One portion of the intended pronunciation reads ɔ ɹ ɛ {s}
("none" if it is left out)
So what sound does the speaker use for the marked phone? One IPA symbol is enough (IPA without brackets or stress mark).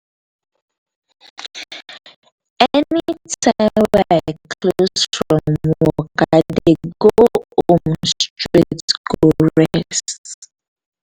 s